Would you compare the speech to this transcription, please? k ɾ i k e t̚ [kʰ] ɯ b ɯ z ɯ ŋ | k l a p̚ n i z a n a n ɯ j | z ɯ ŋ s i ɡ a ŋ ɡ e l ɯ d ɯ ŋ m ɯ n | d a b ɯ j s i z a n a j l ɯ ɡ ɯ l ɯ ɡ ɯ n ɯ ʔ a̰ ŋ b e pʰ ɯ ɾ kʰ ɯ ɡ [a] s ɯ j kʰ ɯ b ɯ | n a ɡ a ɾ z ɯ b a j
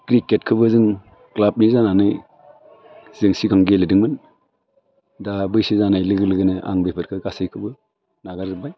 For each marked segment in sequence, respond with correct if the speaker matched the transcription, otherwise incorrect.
correct, correct

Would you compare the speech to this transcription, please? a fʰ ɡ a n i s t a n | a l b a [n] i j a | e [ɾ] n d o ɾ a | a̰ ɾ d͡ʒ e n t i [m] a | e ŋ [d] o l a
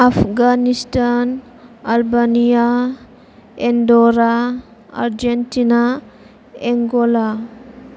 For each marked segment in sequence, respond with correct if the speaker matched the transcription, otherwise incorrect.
correct, incorrect, incorrect, incorrect

